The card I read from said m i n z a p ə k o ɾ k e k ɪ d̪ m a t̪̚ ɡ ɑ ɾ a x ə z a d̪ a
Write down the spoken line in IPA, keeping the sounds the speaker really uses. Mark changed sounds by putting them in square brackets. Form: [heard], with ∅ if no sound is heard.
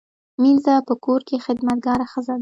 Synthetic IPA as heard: m i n z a p ə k o ɾ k e [x] ɪ d̪ m a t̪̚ ɡ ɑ ɾ a x ə z a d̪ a